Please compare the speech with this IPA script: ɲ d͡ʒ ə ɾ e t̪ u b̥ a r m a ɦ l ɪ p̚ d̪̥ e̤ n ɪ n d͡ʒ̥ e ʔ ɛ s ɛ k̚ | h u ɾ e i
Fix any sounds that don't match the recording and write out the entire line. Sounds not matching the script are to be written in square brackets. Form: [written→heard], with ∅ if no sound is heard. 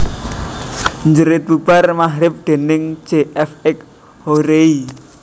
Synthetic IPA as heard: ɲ d͡ʒ ə ɾ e t̪ u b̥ a r m a ɦ [l→ɾ] ɪ p̚ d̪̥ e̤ n ɪ [n→ŋ] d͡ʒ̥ e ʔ ɛ [s→f] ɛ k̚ | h [u→o] ɾ e i